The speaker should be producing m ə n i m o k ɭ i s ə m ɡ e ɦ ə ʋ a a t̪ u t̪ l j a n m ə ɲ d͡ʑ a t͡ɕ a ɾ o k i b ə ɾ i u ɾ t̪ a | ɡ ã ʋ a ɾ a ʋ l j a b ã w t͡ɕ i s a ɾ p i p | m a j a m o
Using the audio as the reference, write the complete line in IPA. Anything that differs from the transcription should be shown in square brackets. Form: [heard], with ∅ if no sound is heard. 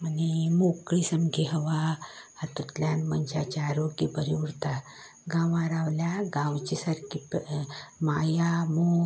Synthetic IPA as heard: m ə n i m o k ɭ i s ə m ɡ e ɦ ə ʋ a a t̪ u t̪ l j a n m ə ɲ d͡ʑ a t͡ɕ a ɾ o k i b ə ɾ i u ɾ t̪ a | ɡ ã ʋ a ɾ a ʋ l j a [ɡ] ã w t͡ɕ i s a ɾ [k] i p | m a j a m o